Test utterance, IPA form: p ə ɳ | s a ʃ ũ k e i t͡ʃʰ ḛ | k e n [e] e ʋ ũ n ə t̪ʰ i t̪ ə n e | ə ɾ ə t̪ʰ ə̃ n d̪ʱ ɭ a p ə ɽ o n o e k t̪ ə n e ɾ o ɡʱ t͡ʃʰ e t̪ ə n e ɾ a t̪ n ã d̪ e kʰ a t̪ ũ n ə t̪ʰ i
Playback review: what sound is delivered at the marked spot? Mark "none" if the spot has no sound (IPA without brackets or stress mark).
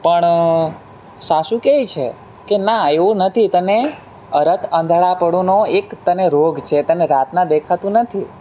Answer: a